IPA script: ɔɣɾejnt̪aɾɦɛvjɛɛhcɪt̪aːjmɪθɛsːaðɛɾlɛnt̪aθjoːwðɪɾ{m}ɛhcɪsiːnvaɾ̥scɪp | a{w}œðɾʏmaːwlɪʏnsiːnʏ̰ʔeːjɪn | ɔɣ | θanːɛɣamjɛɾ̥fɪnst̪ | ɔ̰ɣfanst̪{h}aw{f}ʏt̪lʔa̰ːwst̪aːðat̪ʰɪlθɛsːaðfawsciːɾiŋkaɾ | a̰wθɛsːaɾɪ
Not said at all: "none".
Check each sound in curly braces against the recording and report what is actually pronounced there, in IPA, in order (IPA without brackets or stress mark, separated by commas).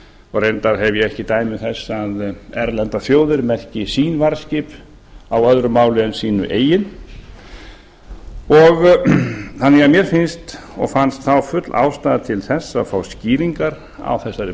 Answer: m, w, θ, f